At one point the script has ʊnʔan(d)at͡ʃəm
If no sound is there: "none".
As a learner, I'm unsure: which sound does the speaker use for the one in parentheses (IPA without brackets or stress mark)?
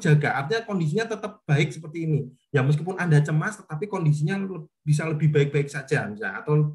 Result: d